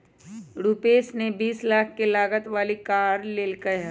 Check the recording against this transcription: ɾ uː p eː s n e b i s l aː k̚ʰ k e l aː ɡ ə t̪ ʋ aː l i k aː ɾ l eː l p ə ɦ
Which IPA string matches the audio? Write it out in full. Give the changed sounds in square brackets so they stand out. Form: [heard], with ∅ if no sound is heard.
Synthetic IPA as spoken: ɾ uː p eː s n e b [iː] s l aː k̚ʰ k e l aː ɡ ə t̪ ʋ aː l i k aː ɾ l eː l [k] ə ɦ